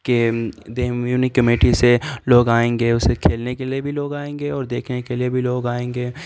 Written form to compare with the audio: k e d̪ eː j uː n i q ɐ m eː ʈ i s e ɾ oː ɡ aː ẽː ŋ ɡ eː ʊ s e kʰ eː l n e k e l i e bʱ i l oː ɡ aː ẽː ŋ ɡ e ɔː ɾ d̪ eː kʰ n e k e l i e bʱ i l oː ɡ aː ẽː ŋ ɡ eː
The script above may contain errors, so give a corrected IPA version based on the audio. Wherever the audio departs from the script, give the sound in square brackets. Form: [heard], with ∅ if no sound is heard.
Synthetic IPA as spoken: k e d̪ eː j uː n i [k] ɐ m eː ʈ i s e [l] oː ɡ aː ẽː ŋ ɡ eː ʊ s e kʰ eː l n e k e l i e bʱ i l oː ɡ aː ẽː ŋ ɡ e ɔː ɾ d̪ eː kʰ n e k e l i e bʱ i l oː ɡ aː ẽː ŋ ɡ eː